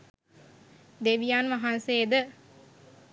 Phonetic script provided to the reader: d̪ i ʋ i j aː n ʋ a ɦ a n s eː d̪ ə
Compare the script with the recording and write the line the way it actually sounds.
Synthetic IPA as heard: d̪ e ʋ i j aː n ʋ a ɦ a n s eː d̪ ə